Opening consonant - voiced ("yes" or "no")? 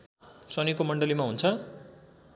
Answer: no